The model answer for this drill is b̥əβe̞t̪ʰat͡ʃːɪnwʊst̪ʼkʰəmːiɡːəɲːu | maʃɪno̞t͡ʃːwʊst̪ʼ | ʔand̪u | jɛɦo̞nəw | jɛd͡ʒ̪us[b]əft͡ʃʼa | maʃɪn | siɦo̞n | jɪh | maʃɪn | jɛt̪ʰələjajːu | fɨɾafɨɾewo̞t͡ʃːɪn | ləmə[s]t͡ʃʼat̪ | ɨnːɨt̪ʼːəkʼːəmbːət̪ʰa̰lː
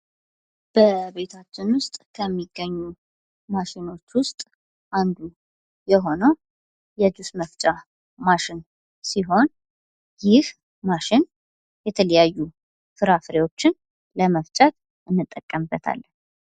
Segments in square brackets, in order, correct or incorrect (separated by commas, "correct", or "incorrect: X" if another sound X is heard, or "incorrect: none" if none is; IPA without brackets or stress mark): incorrect: m, incorrect: f